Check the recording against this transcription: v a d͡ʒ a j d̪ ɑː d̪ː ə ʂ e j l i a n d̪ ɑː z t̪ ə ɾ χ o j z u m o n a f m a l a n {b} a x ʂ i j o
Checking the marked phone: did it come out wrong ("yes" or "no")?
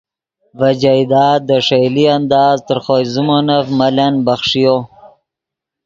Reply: no